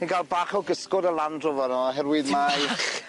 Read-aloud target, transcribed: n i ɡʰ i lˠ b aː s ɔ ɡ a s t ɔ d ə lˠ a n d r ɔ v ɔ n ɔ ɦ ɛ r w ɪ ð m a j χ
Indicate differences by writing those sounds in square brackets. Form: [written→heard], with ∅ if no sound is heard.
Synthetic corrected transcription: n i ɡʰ [i→a] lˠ b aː [s→χ] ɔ ɡ [a→ə] s [t→k] ɔ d ə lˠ a n d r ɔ v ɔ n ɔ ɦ ɛ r w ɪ ð m a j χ